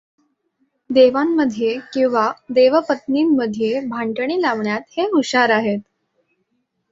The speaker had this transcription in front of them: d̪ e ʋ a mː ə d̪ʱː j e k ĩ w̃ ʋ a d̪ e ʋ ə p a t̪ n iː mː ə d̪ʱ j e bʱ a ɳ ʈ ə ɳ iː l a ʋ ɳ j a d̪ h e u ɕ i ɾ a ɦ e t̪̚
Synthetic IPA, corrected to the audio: d̪ e ʋ a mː ə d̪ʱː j e k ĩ w̃ ʋ a d̪ e ʋ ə p ə t̪ n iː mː ə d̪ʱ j e bʱ a ɳ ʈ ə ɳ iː l a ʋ ɳ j a t̪ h e u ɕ a ɾ a ɦ e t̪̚